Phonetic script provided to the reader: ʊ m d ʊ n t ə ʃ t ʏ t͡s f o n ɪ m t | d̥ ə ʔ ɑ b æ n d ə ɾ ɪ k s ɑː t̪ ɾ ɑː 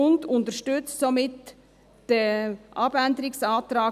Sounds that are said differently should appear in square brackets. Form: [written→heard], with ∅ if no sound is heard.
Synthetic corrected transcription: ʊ [m→n] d ʊ n t ə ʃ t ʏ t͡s [f→s] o [n→m] ɪ [m→∅] t | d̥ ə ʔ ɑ b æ n d ə ɾ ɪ k s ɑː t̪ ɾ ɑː